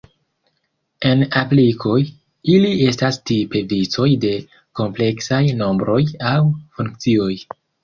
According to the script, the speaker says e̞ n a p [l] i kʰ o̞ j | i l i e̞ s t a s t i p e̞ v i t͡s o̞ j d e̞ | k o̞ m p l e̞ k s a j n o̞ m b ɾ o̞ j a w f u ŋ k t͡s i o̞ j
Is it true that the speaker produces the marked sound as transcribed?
yes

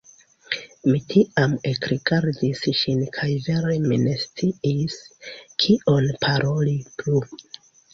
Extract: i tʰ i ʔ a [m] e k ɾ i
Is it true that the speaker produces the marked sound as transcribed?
yes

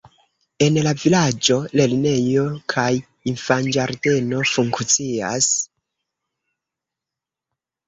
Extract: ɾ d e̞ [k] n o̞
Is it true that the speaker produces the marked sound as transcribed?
no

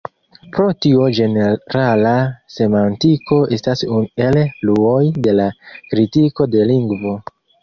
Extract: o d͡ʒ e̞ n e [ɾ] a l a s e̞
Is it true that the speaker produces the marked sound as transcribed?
yes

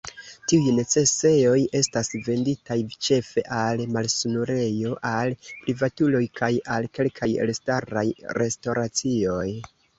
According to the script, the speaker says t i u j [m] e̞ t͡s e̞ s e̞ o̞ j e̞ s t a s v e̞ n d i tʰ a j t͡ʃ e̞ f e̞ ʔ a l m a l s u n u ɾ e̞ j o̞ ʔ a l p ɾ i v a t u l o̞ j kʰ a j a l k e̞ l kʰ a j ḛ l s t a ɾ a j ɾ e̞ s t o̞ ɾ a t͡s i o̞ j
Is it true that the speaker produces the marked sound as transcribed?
no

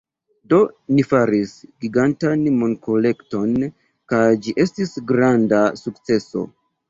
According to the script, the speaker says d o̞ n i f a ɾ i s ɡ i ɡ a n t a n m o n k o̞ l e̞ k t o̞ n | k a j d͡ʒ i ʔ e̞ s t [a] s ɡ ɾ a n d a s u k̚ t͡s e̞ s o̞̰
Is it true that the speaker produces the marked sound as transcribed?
no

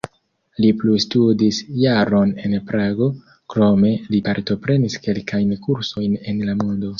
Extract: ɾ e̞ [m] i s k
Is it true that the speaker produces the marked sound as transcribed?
no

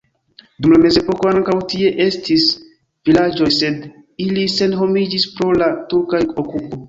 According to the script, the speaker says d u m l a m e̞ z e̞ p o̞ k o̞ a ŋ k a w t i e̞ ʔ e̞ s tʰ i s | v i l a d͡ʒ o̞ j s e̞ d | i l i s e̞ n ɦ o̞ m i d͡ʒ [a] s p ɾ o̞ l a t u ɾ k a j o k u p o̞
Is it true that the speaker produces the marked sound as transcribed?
no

